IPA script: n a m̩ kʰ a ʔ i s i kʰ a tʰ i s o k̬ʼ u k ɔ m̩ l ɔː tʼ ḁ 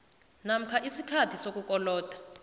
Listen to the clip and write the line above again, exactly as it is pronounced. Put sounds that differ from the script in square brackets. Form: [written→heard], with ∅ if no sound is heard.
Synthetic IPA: n a m̩ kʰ a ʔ i s i kʰ a tʰ i s o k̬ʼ u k ɔ [m̩→∅] l ɔː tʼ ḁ